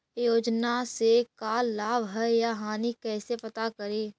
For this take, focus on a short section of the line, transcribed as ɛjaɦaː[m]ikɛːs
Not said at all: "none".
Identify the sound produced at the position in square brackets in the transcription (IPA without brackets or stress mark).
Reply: n